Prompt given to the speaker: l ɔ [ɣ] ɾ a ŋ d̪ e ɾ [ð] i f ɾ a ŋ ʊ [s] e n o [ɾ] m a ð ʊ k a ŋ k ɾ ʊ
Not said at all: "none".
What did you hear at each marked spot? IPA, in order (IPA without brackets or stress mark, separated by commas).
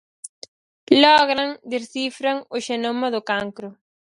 ɣ, θ, ʃ, none